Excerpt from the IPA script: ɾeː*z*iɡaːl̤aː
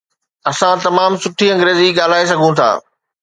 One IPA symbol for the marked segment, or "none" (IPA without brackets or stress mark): z